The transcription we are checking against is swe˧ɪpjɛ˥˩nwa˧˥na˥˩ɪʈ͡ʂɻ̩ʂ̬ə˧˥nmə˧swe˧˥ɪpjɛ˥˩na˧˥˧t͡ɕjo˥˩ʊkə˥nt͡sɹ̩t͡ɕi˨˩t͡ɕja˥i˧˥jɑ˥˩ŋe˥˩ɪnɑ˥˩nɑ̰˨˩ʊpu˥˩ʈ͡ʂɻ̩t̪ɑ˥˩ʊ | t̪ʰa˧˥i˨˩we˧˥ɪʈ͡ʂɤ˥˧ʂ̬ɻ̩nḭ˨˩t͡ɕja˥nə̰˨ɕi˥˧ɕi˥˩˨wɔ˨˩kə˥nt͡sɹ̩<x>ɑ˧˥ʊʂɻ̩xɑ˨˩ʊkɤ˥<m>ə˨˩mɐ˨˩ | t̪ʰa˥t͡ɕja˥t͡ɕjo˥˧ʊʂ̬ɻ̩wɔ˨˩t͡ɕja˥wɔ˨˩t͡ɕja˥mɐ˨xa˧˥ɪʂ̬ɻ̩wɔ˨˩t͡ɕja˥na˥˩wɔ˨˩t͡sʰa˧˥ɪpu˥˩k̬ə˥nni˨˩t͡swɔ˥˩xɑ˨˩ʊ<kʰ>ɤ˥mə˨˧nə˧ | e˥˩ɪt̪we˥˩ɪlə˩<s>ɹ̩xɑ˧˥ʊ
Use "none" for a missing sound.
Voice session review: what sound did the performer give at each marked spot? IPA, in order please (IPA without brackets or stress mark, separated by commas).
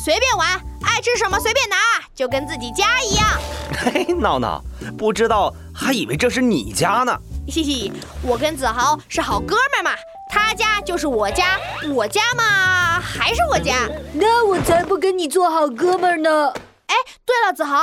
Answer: x, m, k, t͡s